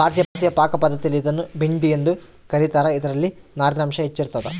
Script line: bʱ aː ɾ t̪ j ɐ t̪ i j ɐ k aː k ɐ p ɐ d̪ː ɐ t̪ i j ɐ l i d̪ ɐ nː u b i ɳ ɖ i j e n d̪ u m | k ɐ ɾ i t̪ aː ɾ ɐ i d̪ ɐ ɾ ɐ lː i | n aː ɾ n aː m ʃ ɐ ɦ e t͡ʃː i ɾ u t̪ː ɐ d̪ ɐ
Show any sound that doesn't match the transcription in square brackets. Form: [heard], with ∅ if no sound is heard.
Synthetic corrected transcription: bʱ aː ɾ t̪ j ɐ t̪ i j ɐ [p] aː k ɐ p ɐ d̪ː ɐ t̪ i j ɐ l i d̪ ɐ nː u b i ɳ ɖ i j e n d̪ u [∅] | k ɐ ɾ i t̪ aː ɾ ɐ i d̪ ɐ ɾ ɐ lː i | n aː ɾ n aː m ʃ ɐ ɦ e t͡ʃː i ɾ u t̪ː ɐ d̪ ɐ